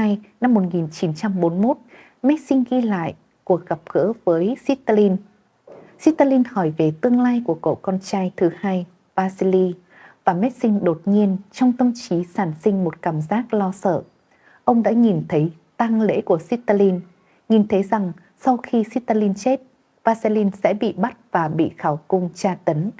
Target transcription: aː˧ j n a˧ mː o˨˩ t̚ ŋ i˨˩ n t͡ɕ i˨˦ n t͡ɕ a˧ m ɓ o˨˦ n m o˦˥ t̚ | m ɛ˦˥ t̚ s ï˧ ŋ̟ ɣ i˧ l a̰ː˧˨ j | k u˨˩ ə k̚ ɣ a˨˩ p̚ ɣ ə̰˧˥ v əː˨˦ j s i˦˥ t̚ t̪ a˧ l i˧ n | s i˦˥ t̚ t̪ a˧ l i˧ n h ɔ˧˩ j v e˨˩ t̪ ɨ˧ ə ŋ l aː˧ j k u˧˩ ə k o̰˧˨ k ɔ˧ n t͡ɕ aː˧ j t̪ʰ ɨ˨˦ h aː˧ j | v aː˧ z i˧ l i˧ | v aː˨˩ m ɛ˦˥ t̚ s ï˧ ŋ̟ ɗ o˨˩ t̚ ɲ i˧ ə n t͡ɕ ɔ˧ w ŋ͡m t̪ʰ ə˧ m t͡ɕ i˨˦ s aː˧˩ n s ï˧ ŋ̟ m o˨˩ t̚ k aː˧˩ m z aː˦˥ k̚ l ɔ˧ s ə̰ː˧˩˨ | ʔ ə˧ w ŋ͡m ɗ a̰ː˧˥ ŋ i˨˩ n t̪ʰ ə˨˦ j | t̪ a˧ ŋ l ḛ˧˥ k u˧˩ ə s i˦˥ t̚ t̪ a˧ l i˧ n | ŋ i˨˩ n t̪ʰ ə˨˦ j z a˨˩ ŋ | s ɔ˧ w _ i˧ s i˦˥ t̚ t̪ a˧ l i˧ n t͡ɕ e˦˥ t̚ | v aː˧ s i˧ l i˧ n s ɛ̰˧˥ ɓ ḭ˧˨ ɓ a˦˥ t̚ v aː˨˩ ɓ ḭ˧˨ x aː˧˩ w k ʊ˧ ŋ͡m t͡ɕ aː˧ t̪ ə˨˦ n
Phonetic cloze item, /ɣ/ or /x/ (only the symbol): x